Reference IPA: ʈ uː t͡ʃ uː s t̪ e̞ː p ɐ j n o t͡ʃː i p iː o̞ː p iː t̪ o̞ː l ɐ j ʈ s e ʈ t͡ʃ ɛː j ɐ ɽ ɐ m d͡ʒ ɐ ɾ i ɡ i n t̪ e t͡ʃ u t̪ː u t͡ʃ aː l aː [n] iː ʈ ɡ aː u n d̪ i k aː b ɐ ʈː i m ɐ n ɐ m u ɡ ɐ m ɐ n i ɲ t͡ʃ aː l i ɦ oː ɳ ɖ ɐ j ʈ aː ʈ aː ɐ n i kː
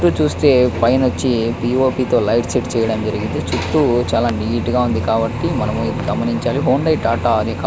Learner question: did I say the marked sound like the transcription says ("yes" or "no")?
yes